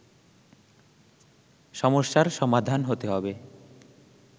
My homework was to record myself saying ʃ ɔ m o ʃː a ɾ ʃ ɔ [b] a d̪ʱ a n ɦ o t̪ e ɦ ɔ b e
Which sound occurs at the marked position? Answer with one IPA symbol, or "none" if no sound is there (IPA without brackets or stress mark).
m